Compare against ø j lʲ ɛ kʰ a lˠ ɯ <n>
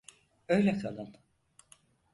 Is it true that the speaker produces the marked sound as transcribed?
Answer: yes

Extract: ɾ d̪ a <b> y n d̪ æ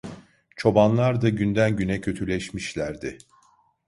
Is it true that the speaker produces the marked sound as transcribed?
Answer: no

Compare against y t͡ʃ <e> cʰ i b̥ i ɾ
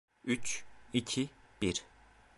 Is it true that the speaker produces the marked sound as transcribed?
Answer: no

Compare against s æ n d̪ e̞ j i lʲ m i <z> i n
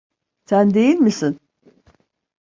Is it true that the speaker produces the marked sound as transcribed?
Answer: no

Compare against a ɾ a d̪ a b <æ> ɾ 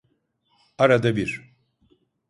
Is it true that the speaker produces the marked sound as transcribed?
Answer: no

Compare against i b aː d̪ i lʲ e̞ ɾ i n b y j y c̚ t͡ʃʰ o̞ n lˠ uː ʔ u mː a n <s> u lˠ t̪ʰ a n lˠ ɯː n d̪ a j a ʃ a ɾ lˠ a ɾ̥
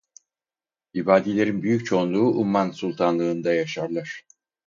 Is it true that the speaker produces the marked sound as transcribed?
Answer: yes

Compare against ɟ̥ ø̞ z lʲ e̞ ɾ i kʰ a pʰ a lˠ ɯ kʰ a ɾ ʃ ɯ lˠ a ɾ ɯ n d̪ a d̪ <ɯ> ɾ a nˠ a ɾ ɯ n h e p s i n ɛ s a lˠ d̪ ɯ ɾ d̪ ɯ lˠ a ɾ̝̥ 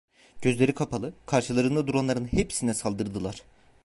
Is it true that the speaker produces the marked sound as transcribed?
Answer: no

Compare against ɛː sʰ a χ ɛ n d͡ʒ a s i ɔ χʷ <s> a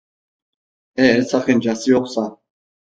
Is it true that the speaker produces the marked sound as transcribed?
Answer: yes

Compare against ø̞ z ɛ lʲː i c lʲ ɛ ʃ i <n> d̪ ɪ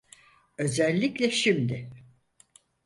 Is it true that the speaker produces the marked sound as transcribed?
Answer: no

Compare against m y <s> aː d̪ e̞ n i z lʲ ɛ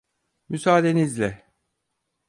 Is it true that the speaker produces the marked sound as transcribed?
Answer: yes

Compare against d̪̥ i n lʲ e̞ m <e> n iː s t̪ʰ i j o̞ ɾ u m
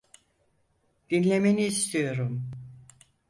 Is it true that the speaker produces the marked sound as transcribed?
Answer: yes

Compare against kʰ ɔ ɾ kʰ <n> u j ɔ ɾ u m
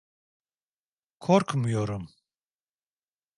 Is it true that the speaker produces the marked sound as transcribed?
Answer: no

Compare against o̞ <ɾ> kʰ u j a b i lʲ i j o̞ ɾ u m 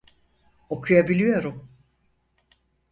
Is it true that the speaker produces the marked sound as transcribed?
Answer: no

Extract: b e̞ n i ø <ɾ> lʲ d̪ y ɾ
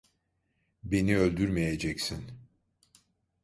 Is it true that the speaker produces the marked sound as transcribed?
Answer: no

